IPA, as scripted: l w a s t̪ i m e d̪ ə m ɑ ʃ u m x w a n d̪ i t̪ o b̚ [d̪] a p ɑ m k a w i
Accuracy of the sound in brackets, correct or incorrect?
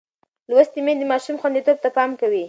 incorrect